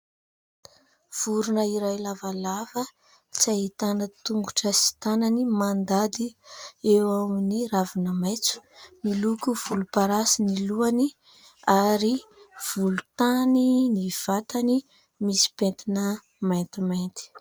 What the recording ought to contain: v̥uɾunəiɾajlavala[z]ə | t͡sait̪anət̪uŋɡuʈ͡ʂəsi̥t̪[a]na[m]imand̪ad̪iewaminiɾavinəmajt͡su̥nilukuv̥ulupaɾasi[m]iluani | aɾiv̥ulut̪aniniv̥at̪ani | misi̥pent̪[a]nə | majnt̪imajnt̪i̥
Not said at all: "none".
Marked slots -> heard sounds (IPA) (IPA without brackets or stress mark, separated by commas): v, a, n, n, i